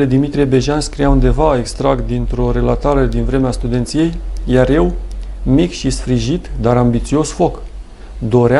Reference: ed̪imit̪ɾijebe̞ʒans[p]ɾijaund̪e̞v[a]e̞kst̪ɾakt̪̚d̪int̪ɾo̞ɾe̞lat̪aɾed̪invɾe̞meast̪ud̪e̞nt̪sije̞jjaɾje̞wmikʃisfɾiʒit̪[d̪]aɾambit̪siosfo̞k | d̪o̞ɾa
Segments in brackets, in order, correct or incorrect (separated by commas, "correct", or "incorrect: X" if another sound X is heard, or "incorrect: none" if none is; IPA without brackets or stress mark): incorrect: k, correct, correct